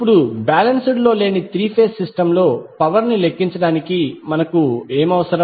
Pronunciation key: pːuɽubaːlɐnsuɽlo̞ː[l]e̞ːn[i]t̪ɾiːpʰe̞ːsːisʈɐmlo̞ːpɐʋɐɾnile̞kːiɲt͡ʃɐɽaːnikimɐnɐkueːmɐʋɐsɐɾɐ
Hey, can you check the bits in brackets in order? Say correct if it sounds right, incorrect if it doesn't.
correct, correct

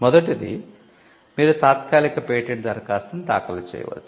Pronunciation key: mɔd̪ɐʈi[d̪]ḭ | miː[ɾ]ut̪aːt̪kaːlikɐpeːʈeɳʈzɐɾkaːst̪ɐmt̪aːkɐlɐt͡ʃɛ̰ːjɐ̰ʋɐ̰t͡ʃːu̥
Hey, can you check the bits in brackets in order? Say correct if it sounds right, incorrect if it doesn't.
correct, correct

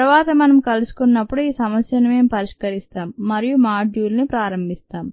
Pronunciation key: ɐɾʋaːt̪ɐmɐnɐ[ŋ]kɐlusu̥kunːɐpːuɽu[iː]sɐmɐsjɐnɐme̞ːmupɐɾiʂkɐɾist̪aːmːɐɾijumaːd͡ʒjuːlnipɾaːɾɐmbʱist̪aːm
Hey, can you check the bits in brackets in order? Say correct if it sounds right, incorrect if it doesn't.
incorrect, correct

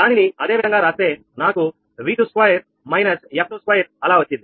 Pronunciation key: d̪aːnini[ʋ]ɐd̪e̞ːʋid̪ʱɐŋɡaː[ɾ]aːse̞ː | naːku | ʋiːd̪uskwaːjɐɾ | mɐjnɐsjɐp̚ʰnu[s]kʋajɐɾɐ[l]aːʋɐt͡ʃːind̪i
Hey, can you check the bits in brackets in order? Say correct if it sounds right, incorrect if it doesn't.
incorrect, correct, correct, correct

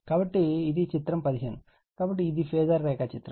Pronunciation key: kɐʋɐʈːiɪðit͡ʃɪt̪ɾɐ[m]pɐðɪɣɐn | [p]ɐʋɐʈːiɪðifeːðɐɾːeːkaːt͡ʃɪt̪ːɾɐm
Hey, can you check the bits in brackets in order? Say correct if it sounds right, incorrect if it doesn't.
correct, incorrect

